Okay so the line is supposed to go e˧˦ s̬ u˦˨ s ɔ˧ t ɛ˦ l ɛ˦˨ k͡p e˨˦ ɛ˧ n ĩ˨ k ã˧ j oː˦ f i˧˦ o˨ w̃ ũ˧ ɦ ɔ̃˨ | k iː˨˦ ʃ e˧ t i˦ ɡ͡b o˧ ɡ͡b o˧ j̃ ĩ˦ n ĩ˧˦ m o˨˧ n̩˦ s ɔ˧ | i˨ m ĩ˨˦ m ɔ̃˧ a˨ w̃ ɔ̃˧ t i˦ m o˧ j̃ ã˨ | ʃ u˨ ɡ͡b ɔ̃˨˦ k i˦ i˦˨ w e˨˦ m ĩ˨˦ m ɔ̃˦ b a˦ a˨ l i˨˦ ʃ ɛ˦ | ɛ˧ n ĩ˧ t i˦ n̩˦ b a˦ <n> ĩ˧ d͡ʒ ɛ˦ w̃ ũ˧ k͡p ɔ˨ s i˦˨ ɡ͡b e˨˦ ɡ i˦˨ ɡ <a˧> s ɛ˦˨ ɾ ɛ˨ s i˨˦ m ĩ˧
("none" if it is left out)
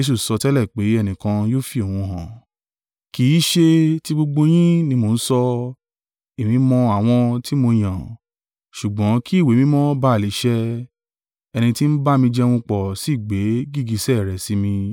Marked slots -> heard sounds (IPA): m, i˧

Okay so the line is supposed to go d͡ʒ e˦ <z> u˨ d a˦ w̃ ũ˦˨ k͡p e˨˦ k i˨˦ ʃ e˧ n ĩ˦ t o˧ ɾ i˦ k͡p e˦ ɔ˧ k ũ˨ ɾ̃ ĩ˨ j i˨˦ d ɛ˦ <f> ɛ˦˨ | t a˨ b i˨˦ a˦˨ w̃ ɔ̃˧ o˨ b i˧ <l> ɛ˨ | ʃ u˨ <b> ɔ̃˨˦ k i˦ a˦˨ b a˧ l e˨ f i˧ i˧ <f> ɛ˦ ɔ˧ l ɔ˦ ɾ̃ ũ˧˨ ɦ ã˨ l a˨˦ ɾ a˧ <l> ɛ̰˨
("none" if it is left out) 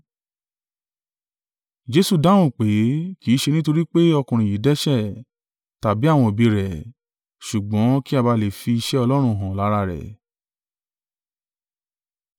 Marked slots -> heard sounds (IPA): s, ʃ, ɾ, ɡ͡b, ʃ, ɾ

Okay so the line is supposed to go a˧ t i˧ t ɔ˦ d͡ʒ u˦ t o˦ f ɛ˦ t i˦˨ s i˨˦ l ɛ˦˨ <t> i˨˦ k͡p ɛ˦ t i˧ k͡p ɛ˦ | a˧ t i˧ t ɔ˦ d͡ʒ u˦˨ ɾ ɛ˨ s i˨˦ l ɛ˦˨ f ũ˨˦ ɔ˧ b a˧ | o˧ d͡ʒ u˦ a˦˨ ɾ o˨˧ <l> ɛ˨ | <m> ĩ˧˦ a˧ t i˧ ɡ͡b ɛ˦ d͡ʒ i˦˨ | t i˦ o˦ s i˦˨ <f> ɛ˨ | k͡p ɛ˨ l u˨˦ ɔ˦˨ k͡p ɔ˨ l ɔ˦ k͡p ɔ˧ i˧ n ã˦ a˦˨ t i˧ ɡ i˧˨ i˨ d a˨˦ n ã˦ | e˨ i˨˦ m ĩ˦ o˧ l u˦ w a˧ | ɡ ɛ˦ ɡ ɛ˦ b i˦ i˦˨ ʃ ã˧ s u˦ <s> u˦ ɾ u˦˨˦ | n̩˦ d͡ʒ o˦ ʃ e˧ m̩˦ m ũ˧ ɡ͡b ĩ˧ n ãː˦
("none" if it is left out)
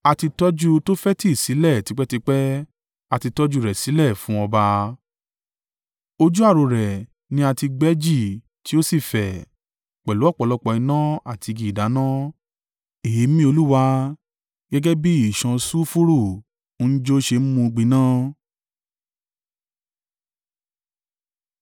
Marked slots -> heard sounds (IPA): t, ɾ, n, f, f

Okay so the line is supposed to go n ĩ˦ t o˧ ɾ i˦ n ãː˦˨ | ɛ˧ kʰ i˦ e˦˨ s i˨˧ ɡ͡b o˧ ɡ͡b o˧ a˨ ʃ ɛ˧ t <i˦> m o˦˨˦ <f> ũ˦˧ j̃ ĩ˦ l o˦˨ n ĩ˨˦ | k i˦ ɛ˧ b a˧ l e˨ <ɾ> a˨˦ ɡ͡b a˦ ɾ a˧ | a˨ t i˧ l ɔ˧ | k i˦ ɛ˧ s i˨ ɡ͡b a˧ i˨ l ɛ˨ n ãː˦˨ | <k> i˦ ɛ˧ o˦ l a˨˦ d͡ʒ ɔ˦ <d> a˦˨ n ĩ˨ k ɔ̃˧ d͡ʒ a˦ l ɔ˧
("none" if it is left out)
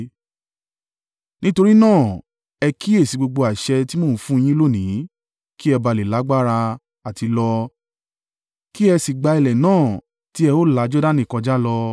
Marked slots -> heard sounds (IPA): i˦, f, l, t, d

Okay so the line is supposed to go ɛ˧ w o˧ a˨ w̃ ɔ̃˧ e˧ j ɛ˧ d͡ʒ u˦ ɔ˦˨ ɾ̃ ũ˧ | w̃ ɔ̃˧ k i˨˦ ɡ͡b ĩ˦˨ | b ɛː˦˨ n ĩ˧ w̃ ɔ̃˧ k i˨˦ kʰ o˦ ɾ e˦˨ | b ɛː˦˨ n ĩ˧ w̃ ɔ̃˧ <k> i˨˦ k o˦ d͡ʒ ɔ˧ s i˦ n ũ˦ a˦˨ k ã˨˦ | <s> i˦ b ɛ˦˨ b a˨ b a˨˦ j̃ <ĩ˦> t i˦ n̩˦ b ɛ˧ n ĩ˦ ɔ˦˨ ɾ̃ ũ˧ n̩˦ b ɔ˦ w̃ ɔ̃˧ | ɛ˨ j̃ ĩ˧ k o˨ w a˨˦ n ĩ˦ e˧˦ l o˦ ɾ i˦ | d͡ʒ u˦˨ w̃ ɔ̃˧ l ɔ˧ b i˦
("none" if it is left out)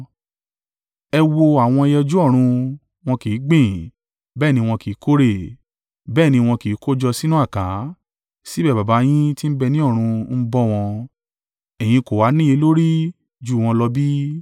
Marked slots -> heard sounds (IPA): k, s, ĩ˦

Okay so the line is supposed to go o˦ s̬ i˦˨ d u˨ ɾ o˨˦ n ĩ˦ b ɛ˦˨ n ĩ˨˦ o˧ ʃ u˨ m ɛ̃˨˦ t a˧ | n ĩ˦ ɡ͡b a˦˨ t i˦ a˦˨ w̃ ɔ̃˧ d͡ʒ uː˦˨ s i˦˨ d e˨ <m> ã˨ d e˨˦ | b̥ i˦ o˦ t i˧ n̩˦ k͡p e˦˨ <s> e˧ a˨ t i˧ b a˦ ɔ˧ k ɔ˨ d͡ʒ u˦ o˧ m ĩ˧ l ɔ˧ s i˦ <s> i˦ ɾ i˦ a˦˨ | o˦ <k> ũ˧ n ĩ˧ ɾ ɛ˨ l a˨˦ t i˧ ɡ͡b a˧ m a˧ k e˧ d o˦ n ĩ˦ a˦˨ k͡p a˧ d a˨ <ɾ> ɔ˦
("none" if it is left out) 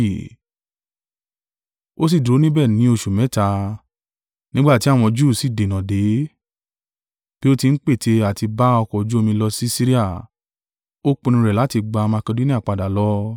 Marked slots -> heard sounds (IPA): n, t, s, k͡p, l

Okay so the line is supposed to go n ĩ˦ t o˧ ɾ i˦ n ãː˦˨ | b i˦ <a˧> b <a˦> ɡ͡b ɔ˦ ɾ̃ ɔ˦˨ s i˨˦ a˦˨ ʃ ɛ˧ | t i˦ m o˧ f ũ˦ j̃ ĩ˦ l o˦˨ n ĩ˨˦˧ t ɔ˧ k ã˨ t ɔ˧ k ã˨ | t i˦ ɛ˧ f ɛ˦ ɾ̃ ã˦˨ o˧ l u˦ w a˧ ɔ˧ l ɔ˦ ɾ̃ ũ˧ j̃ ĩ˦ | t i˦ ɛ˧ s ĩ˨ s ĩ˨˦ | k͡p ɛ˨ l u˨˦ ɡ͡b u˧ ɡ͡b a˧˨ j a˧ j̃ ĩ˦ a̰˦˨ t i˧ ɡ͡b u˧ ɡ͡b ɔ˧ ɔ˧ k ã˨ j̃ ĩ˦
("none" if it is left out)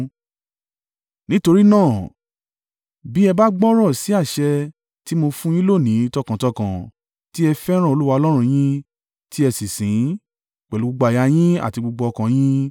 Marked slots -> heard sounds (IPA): ɛ˧, a˦

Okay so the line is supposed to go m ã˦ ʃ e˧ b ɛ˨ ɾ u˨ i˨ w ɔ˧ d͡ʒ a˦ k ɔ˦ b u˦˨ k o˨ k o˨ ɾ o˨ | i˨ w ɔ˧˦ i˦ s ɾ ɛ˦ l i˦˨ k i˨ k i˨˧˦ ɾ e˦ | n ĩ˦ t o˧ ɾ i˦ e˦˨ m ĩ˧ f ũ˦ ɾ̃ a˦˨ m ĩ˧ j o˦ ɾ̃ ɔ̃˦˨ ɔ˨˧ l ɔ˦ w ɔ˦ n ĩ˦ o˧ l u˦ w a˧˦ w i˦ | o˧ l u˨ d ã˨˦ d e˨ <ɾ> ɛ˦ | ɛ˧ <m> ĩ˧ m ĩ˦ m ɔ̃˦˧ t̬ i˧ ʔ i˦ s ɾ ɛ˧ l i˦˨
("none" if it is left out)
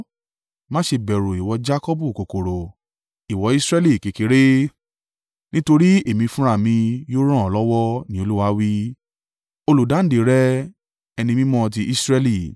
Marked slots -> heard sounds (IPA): ɾ, n

